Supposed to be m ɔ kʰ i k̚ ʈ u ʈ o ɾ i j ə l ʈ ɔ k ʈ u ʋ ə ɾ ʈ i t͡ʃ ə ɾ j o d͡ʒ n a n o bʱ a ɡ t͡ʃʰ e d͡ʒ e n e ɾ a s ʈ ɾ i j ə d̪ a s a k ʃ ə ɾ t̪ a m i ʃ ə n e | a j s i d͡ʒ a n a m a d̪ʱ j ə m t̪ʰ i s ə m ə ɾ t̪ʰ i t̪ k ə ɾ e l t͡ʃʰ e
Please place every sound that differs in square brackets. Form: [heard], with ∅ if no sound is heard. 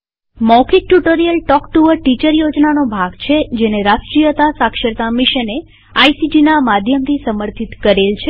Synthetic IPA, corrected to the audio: m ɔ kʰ i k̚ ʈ u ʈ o ɾ i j ə l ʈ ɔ k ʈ u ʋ ə ɾ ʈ i t͡ʃ ə ɾ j o d͡ʒ n a n o bʱ a ɡ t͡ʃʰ e d͡ʒ e n e ɾ a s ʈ ɾ i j ə [t̪] a s a k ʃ ə ɾ t̪ a m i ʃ ə n e | a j s i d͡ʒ [i] n a m a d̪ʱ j ə m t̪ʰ i s ə m ə ɾ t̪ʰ i t̪ k ə ɾ e l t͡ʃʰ e